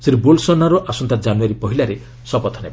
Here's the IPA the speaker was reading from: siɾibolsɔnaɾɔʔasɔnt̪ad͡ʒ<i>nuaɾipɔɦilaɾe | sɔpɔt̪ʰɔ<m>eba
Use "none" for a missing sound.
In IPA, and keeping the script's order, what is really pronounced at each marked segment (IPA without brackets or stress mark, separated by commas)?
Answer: a, n